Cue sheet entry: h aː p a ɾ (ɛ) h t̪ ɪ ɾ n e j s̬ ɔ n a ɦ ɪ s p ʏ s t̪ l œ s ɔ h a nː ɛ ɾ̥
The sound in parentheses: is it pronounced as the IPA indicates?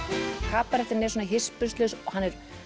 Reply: yes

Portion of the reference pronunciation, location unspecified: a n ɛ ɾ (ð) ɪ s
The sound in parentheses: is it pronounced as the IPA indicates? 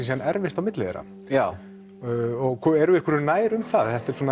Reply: no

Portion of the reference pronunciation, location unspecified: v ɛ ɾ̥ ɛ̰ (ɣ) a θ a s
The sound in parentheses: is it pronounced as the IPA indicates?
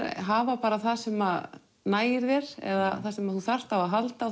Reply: no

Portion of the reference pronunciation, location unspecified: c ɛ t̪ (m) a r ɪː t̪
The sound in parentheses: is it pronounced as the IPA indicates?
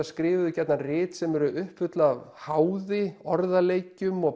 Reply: no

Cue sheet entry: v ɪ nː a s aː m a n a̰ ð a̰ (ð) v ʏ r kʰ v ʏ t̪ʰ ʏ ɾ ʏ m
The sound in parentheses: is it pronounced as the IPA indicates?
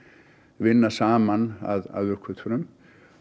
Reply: yes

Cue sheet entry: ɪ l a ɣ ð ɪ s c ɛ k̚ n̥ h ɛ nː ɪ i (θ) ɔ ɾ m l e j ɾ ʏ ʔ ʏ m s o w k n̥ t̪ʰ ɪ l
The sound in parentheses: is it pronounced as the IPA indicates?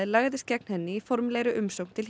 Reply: no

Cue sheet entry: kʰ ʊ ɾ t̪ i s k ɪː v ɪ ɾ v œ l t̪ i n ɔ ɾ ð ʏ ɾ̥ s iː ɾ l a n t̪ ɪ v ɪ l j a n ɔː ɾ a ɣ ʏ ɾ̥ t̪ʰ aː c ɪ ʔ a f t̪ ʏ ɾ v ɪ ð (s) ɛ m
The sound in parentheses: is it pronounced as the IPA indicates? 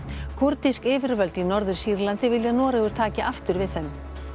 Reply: no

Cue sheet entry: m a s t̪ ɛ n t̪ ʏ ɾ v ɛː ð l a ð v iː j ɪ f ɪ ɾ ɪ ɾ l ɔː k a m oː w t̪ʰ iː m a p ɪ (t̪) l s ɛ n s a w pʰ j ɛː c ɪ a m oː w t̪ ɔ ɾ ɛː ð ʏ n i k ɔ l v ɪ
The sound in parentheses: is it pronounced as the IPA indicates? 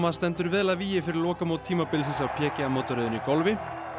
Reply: no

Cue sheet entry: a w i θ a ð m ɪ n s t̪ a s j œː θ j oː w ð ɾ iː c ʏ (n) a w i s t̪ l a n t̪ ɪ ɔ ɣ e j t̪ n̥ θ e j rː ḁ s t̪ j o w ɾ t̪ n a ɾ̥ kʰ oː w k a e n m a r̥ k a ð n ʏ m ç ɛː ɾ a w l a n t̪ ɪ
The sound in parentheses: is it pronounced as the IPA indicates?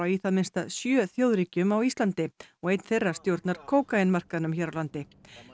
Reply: no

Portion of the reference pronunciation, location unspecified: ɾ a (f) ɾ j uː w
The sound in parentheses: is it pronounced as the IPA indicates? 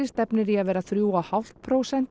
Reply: no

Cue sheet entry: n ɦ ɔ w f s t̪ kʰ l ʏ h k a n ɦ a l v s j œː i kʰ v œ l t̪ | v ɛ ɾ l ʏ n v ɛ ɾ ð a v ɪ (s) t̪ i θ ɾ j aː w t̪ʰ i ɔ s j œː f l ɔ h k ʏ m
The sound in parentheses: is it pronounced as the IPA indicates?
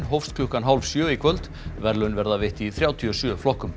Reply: no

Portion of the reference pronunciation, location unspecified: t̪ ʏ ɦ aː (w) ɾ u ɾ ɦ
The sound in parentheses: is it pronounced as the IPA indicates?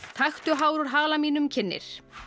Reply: yes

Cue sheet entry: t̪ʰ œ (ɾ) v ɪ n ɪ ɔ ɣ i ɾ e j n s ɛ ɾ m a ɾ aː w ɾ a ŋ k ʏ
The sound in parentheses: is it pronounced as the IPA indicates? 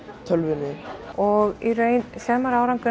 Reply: no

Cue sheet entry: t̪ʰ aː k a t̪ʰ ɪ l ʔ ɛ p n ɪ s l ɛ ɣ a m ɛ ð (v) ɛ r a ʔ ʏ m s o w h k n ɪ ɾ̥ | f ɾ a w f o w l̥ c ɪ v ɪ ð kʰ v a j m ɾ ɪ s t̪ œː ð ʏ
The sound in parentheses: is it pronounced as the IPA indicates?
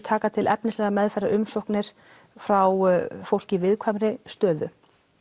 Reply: no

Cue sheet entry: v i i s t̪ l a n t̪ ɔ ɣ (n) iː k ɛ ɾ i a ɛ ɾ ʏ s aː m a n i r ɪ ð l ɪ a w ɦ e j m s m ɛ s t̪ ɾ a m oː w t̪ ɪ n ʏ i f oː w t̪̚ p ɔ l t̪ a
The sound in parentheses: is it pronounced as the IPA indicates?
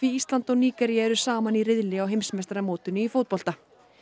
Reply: yes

